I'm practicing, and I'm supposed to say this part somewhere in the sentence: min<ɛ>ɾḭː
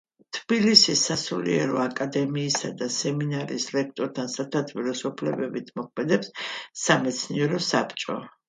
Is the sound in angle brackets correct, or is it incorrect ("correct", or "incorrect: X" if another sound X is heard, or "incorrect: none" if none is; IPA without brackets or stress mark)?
incorrect: a